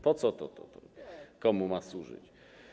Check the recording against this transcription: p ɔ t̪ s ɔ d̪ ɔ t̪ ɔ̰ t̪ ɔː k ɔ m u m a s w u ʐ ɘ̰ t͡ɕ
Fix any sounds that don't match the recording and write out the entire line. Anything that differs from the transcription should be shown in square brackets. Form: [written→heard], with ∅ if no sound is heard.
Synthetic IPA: p ɔ t̪ s ɔ [d̪→t̪] ɔ t̪ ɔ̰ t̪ [ɔː→ɔ] k ɔ m u m a s w u ʐ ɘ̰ t͡ɕ